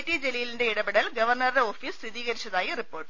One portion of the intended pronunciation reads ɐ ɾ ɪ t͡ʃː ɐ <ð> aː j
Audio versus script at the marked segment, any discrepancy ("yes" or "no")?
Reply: no